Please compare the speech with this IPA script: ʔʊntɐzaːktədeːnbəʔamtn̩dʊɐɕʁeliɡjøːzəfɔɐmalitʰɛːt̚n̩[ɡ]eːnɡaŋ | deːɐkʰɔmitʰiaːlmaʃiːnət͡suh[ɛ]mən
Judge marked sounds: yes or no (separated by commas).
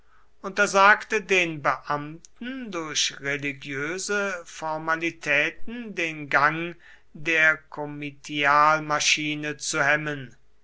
no, yes